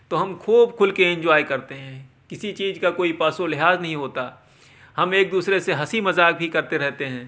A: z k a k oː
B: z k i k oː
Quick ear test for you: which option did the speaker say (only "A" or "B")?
A